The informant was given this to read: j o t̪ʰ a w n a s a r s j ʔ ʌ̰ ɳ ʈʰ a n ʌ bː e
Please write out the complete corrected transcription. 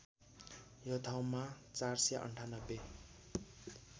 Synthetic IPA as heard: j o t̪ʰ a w m a t͡s a r s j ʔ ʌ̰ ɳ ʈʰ a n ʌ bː e